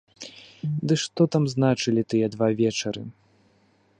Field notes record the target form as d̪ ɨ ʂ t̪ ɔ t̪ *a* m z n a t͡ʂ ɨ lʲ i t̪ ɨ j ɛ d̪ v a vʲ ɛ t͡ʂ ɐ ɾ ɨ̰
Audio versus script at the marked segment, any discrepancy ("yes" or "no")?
no